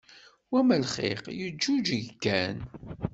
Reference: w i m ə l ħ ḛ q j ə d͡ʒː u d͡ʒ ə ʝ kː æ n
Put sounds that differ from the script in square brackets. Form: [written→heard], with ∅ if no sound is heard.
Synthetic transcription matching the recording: w [i→æ] m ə l [ħ→χ] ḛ q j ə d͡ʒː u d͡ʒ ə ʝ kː æ n